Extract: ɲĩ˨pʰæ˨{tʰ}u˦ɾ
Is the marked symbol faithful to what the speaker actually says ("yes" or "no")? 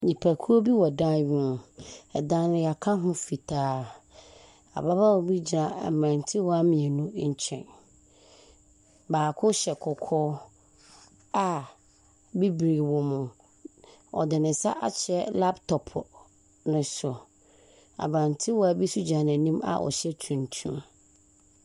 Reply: no